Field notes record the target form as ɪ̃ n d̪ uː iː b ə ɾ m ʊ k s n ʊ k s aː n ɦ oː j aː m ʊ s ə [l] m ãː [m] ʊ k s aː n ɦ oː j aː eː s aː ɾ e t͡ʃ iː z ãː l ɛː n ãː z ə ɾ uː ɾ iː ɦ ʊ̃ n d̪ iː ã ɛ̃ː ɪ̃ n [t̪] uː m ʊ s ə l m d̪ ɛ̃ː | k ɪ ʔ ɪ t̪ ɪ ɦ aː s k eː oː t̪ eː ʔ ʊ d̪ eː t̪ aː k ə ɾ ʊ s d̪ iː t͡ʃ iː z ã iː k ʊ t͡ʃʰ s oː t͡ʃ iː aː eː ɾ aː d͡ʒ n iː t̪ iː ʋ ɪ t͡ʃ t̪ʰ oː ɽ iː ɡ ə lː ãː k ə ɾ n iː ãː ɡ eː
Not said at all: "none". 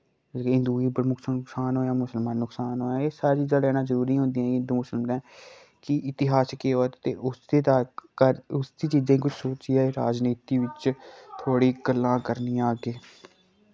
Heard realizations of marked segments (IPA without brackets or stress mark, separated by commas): l, n, d̪